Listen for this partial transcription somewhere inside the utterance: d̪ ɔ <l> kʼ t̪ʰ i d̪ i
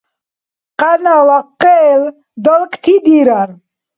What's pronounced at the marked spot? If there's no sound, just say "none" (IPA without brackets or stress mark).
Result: l